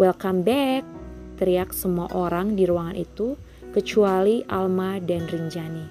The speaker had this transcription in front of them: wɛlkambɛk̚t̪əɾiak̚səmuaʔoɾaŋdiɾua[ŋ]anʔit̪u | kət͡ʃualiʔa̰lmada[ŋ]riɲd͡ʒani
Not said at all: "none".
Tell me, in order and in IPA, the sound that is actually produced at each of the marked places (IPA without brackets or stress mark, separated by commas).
ŋ, n